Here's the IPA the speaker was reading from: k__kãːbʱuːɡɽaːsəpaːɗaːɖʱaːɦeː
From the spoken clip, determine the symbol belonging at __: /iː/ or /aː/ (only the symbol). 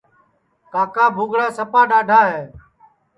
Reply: aː